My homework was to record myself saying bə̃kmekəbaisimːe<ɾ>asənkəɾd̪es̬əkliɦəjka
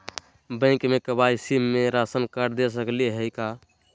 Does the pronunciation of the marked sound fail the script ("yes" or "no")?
no